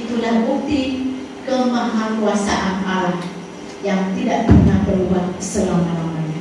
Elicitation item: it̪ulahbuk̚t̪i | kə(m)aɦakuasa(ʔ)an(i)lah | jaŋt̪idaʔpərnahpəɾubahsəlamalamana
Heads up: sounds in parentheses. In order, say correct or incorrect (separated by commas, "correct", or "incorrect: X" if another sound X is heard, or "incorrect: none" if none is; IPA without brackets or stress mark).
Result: correct, correct, incorrect: a